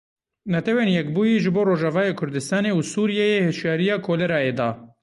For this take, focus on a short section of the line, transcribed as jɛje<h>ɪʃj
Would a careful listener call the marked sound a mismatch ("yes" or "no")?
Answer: no